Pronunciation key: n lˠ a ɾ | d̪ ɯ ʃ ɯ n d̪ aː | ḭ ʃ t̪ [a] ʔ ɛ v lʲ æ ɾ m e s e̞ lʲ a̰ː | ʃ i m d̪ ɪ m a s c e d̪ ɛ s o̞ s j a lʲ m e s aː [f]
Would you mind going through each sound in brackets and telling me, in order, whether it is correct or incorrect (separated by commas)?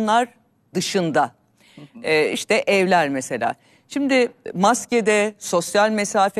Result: incorrect, correct